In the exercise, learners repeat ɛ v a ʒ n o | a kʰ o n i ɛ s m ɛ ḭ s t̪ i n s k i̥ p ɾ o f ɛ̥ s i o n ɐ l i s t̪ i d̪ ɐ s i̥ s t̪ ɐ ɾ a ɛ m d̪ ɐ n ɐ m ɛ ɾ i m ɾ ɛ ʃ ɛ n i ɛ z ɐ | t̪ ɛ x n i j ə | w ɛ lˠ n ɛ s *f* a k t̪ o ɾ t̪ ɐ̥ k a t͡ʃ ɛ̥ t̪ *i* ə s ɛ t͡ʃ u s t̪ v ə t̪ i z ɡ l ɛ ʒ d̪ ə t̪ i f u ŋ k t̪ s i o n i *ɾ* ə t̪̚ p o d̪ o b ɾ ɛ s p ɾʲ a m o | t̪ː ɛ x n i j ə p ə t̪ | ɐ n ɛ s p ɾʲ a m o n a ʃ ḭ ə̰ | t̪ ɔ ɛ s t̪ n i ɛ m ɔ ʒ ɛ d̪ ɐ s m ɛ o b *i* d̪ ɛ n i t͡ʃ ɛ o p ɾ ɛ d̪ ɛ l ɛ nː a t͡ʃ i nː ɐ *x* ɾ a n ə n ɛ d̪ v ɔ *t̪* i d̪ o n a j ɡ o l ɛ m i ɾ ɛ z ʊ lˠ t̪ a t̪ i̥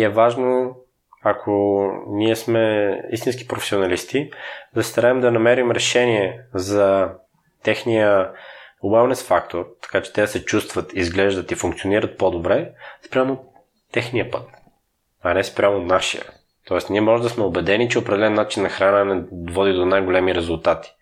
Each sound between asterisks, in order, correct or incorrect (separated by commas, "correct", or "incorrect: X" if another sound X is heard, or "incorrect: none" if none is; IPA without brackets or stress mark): correct, incorrect: ɛ, correct, incorrect: ɛ, correct, incorrect: d̪